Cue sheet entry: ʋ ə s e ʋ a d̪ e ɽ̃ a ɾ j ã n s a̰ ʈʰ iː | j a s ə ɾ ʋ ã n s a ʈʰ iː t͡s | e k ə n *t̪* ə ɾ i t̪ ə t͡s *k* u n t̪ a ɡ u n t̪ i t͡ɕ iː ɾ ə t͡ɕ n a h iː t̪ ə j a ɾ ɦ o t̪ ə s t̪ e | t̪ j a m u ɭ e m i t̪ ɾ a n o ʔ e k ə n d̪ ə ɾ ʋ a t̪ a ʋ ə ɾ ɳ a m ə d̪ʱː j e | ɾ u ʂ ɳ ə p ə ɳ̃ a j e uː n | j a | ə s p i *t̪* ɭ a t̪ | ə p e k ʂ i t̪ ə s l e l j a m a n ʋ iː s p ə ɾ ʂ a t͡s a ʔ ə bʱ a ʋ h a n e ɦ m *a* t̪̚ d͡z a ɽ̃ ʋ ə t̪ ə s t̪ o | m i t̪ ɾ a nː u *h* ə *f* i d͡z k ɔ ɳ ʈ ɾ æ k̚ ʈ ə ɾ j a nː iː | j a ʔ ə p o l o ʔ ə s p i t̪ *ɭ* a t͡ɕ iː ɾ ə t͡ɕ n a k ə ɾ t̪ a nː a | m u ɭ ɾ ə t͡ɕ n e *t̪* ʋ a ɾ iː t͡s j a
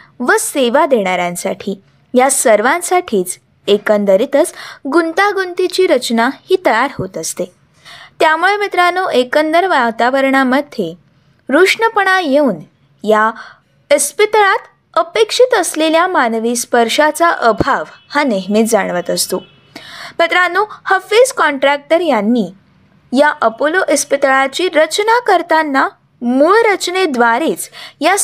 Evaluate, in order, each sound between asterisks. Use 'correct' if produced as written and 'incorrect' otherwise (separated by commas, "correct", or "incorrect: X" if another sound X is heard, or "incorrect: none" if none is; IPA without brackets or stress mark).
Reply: incorrect: d̪, incorrect: ɡ, correct, incorrect: i, correct, correct, correct, incorrect: d̪